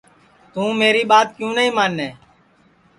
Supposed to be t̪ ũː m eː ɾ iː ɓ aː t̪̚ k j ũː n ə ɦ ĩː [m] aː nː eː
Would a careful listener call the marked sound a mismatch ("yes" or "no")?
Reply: no